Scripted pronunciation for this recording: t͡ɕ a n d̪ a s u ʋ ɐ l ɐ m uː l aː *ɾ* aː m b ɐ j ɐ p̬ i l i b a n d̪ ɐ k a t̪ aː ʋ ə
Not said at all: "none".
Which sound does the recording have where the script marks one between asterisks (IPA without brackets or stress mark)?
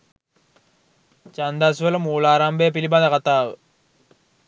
ɾ